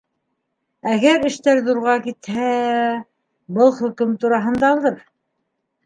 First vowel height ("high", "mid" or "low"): low